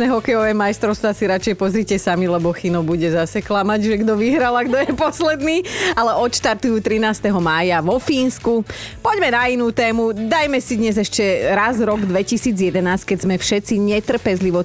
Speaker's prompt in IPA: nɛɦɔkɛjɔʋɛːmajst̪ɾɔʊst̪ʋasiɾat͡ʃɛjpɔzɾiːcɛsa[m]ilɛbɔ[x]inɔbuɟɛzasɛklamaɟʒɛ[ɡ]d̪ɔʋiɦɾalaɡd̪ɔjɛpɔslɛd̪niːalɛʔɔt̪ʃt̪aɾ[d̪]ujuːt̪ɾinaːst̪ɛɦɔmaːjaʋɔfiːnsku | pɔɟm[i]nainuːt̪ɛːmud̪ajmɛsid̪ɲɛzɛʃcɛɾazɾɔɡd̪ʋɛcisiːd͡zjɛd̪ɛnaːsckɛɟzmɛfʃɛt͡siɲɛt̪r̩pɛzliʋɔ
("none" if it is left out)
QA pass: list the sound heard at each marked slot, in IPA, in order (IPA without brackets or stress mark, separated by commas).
m, x, ɡ, t̪, ɛ